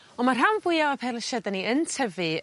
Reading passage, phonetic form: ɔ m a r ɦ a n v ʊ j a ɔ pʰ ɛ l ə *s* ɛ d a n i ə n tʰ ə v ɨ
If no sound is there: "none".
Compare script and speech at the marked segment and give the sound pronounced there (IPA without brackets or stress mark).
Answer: ʃ